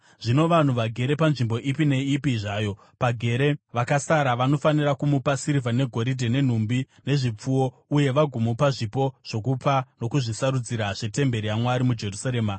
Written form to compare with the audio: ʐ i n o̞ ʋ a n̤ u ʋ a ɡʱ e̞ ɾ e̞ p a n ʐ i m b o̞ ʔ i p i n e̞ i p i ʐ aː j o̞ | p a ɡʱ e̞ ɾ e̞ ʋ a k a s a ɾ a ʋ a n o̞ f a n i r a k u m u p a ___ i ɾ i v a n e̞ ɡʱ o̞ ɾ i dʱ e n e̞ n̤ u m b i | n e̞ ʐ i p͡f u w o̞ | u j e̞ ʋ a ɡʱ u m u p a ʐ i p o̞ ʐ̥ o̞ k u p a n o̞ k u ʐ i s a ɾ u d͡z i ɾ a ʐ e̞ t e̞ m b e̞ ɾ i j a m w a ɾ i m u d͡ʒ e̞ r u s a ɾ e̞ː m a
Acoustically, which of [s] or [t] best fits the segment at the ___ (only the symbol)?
s